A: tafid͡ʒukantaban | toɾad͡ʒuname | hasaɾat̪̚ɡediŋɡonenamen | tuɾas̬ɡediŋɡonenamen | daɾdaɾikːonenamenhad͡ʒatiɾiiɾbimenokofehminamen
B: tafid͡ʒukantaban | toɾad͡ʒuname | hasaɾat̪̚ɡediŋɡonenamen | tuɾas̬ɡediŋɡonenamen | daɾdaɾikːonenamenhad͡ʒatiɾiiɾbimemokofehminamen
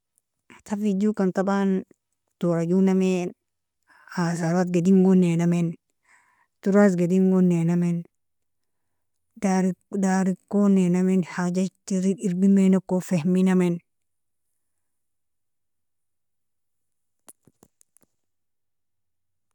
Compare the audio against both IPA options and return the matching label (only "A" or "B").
A